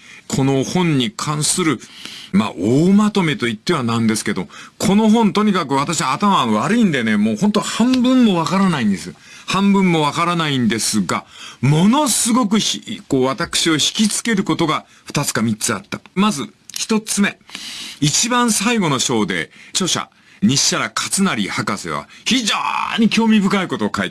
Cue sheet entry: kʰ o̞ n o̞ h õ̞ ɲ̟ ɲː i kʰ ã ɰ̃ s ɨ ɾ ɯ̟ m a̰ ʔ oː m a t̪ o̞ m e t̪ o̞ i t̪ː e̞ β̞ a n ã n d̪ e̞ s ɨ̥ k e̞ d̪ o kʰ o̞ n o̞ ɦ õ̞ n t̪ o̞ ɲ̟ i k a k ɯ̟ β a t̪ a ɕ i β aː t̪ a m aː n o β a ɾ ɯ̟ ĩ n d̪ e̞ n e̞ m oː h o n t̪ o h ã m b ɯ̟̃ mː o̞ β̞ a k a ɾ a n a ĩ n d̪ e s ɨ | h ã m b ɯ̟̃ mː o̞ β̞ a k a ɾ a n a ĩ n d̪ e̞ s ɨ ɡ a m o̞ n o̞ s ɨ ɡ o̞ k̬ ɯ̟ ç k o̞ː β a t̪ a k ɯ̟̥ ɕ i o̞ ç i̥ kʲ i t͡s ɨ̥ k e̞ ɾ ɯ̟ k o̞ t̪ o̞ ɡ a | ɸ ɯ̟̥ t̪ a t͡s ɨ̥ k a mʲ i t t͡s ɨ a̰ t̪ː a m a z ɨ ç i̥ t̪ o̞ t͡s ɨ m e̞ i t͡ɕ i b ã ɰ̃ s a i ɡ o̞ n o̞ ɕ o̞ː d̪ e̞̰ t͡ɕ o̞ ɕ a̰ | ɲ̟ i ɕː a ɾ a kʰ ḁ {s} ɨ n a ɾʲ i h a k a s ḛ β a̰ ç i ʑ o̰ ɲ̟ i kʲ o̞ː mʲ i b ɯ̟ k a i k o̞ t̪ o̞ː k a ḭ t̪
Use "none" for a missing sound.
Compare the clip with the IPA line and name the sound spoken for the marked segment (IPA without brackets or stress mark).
t͡s